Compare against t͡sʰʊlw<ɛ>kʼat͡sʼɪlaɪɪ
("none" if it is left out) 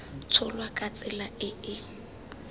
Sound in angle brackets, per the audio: a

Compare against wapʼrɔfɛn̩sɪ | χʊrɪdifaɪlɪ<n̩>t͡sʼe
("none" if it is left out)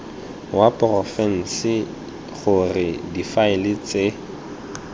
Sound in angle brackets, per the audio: none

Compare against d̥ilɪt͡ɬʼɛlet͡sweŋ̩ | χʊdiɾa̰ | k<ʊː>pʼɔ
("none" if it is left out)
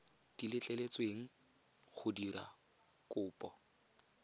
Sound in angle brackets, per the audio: ʊː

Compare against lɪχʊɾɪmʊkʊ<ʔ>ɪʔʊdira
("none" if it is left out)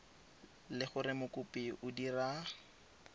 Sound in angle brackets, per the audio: p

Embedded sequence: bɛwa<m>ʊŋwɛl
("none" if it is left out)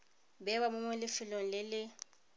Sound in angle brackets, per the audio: m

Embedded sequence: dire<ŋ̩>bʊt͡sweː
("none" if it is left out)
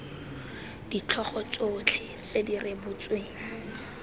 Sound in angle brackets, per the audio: none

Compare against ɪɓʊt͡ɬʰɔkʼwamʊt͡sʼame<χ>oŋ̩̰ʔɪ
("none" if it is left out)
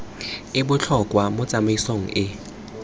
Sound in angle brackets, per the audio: s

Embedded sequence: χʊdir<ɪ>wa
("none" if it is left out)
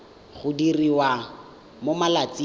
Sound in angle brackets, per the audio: i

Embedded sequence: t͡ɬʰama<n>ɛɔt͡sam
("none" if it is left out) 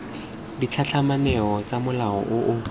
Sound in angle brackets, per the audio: n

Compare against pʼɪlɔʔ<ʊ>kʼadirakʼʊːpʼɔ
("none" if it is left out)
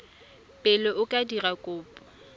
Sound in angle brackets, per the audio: ʊ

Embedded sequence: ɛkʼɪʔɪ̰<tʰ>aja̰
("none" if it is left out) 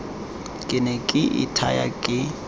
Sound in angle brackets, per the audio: tʰ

